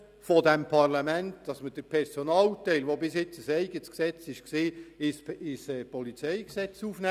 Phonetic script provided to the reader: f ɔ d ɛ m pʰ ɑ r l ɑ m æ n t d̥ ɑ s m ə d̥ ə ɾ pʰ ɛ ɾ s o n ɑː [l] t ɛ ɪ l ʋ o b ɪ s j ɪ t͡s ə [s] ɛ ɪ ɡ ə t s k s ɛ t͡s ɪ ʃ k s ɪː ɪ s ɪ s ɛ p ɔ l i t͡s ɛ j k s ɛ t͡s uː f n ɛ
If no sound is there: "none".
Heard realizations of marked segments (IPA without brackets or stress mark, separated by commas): l, s